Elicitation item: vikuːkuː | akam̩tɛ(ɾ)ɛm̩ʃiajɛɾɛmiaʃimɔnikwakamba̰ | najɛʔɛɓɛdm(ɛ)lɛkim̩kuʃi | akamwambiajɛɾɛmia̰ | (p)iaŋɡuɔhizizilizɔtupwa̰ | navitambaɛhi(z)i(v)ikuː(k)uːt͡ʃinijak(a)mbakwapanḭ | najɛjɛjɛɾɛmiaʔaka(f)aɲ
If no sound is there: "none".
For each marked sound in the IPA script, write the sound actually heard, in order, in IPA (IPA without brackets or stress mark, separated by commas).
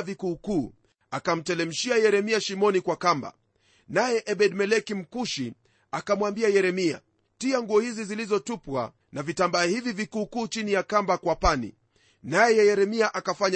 l, ɛ, t, v, v, k, a, f